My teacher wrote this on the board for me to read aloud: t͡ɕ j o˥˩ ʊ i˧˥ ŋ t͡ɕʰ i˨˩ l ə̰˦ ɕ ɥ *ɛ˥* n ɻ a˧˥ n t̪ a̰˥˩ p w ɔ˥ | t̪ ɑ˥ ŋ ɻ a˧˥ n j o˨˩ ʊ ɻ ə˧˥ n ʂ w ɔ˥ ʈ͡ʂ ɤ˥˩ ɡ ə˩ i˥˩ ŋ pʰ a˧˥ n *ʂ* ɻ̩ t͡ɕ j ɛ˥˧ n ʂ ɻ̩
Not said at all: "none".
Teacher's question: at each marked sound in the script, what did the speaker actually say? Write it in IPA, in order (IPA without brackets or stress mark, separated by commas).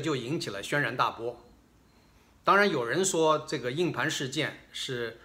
ɛ˥, ʂ